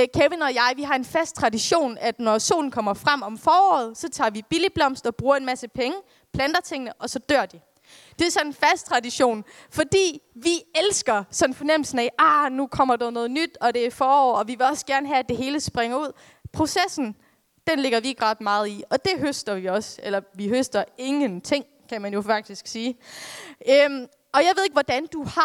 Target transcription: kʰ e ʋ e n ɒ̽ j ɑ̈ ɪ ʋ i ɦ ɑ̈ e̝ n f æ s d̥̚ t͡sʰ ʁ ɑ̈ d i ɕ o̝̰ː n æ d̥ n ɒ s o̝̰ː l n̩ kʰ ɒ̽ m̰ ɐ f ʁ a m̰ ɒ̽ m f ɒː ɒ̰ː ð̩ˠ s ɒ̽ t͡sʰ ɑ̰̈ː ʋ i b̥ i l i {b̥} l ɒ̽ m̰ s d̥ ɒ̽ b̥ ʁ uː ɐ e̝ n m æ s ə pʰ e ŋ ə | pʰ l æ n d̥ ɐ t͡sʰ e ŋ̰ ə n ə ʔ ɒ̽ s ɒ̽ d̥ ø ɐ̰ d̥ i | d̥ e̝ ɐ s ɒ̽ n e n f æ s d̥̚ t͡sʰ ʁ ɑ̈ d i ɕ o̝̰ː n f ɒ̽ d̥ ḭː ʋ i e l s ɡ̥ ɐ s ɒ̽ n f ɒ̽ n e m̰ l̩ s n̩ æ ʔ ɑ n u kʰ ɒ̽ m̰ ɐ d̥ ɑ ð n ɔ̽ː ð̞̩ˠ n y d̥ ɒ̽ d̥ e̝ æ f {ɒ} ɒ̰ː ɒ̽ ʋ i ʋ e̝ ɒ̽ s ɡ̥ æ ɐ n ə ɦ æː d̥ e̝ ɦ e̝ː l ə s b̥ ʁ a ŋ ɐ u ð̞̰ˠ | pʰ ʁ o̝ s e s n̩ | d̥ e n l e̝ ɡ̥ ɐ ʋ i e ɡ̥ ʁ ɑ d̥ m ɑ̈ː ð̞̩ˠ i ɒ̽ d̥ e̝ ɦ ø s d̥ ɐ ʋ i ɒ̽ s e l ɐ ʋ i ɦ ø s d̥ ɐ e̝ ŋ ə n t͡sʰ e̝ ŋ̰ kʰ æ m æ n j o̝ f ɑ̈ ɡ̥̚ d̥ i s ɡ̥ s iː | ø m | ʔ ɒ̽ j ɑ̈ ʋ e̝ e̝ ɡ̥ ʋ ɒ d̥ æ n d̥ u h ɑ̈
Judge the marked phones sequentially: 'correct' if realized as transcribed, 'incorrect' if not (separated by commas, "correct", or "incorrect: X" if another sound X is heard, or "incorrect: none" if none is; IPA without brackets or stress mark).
correct, incorrect: ɒː